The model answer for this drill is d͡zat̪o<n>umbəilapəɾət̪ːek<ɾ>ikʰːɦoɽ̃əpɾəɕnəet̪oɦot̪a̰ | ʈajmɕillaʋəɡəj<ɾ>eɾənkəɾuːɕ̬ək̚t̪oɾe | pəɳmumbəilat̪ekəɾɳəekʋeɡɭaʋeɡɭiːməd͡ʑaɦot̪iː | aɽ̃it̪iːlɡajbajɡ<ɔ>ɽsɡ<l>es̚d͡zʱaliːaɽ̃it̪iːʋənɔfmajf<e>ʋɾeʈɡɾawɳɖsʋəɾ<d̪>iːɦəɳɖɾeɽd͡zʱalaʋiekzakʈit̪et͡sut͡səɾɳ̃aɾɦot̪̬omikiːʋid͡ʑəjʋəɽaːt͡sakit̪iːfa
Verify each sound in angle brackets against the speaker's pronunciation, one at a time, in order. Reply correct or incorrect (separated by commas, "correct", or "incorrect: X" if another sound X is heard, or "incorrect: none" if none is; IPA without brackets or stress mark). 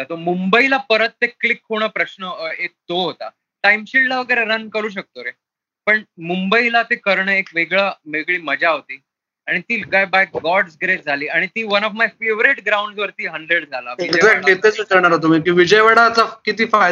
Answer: incorrect: m, incorrect: l, correct, correct, incorrect: ɾ, correct, incorrect: t̪